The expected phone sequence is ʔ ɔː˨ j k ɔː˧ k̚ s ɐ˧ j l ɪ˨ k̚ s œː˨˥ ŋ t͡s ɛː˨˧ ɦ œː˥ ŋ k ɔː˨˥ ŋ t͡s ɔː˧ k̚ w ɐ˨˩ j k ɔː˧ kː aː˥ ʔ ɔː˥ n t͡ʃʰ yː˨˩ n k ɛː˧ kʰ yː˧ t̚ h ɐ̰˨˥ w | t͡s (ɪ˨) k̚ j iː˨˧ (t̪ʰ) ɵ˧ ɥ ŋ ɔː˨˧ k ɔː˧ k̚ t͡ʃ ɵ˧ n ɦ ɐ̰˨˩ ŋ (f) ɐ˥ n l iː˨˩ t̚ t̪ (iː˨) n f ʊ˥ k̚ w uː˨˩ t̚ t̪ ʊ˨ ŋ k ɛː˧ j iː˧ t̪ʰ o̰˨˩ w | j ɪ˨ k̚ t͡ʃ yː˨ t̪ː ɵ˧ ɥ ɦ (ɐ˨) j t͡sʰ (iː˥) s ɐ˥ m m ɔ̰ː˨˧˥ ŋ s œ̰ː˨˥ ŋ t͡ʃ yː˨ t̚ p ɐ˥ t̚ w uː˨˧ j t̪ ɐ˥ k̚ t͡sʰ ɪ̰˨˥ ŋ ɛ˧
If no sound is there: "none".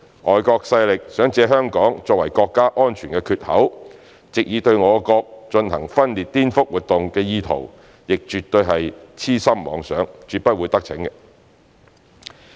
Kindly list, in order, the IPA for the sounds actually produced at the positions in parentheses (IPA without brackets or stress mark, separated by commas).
ɪ˨, t̪, f, iː˥, ɐ˨, iː˥